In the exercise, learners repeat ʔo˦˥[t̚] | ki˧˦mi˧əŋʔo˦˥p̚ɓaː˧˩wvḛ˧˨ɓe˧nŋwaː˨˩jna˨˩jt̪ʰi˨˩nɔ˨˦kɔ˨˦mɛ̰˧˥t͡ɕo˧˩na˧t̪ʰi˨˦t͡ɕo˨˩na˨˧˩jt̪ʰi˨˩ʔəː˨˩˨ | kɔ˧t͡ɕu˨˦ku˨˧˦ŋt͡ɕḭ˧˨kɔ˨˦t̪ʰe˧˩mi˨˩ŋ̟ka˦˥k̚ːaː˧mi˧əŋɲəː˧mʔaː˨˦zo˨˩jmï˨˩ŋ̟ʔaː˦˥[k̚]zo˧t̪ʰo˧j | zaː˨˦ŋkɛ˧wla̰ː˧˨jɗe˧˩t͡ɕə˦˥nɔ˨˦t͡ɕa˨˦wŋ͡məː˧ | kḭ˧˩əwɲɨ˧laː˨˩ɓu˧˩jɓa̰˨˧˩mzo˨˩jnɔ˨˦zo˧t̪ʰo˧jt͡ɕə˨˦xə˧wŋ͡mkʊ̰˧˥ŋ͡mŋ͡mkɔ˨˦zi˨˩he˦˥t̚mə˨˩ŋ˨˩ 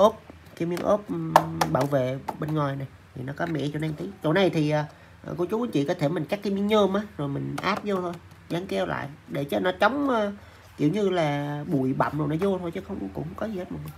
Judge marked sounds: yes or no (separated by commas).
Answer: no, no